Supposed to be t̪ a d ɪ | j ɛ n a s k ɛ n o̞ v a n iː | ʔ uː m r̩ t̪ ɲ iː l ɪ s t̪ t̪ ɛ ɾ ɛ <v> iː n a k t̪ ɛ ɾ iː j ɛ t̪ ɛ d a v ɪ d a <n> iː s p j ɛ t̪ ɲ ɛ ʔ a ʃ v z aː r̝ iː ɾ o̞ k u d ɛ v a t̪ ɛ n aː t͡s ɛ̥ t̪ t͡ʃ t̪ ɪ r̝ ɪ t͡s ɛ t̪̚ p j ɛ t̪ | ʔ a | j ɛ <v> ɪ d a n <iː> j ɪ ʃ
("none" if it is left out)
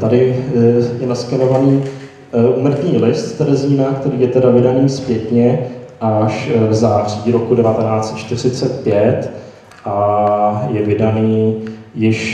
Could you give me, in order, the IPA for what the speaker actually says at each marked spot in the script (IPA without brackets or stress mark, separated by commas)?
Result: z, n, v, iː